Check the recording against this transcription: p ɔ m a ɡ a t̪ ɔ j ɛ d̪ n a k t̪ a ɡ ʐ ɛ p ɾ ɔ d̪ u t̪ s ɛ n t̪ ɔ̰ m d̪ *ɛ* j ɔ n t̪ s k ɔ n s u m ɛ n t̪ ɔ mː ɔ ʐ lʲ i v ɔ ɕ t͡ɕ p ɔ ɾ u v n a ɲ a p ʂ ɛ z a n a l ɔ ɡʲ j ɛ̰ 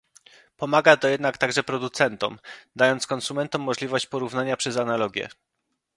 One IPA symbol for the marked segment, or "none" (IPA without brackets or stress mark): a